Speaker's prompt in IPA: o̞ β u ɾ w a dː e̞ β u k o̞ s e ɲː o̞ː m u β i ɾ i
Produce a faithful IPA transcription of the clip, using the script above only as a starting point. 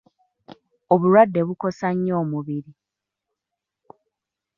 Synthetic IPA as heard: o̞ β u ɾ w a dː e̞ β u k o̞ s a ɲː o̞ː m u β i ɾ i